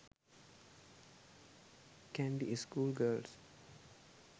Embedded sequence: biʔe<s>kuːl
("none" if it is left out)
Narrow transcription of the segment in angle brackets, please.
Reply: s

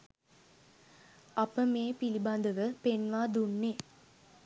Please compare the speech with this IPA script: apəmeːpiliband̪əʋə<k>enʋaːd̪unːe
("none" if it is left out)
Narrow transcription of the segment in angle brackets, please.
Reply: p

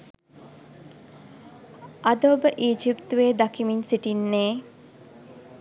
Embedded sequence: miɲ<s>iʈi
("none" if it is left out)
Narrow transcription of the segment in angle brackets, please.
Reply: s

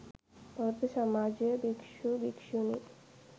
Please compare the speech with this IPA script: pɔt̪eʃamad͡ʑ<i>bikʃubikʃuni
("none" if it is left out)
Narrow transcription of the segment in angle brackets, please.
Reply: e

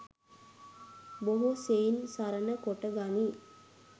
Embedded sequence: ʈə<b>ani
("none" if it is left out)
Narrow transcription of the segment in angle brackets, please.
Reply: ɡ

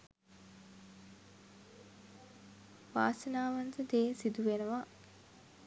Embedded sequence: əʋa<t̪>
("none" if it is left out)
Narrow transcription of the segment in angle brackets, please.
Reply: none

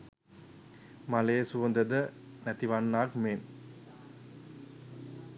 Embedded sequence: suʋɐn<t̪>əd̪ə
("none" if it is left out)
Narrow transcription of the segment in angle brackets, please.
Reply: d̪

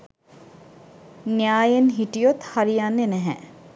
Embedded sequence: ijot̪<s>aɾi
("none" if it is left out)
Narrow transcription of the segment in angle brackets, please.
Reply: h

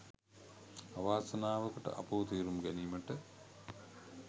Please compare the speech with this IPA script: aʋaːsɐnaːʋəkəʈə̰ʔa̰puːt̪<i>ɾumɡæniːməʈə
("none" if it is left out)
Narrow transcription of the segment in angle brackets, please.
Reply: iː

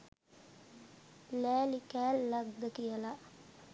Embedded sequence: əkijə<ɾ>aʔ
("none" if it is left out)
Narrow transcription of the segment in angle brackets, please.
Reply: l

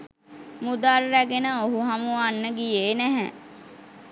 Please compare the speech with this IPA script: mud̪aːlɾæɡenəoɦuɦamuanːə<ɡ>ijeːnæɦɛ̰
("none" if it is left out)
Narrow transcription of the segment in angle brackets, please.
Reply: ɡ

